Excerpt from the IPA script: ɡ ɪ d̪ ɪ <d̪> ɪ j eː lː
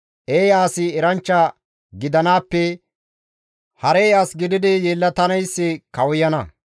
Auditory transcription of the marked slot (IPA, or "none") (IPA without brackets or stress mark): d̪